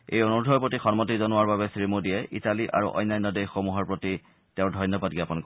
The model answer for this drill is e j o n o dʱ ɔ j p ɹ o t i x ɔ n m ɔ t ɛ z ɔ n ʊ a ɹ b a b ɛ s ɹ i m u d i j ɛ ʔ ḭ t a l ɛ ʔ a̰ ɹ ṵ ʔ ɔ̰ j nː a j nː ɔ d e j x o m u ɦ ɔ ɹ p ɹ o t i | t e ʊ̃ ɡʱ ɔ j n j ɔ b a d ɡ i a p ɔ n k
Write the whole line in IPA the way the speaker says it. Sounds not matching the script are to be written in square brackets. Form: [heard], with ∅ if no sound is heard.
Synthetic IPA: e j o n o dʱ ɔ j p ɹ o t i x ɔ n m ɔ t [i] z ɔ n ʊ a ɹ b a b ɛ s ɹ i m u d i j ɛ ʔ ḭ t a l [i] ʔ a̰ ɹ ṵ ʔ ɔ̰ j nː a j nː ɔ d e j x o m u ɦ ɔ ɹ p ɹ o t i | t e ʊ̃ [dʱ] ɔ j n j ɔ b a d ɡ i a p ɔ n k